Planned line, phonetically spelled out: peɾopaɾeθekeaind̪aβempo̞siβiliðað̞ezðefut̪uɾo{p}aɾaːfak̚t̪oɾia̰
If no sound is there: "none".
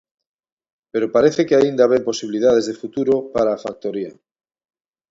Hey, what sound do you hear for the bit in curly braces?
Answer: p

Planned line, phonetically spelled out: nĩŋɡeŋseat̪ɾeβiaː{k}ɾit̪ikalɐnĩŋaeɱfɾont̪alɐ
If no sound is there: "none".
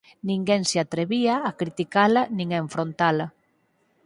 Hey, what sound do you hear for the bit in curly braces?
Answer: k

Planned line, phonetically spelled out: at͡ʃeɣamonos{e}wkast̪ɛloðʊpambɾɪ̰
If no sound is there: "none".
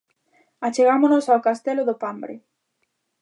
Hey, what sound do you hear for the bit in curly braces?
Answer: a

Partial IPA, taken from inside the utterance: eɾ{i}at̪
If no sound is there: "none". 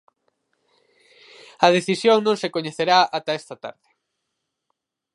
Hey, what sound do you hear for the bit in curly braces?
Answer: a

